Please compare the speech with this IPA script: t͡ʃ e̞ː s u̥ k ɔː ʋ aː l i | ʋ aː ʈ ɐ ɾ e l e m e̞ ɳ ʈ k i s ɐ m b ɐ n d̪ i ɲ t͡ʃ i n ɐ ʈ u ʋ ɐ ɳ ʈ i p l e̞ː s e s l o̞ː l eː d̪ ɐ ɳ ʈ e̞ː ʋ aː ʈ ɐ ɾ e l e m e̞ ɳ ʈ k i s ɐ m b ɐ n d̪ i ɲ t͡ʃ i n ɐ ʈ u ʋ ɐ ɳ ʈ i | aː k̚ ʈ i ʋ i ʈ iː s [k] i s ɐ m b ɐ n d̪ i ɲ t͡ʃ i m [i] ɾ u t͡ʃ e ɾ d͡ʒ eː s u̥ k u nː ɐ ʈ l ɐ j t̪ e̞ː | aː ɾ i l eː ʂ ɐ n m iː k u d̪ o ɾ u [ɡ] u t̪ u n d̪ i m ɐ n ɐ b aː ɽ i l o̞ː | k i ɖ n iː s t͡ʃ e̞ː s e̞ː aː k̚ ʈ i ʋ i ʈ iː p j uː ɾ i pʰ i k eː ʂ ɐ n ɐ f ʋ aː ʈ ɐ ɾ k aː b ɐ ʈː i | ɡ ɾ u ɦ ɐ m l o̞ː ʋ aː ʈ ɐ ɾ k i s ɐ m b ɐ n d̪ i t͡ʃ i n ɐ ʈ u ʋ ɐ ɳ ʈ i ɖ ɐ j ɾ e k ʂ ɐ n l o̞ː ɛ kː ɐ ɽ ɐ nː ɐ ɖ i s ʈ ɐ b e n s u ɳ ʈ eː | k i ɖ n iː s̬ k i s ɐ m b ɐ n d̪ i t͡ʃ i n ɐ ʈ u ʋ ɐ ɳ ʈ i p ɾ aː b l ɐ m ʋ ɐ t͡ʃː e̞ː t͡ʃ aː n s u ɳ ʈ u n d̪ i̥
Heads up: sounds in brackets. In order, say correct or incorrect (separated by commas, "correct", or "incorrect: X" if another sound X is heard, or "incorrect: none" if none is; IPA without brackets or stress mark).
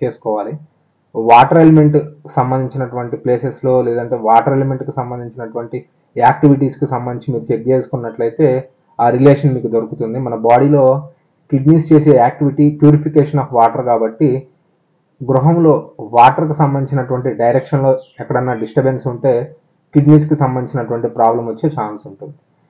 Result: correct, incorrect: iː, incorrect: k